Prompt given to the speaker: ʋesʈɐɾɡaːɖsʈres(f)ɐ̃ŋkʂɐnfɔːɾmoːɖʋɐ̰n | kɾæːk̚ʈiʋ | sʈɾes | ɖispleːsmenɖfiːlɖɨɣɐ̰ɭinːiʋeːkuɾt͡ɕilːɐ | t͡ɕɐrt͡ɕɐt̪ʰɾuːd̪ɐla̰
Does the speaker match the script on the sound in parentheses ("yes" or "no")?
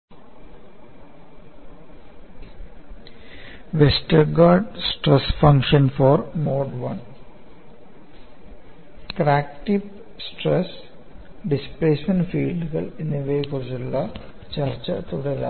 yes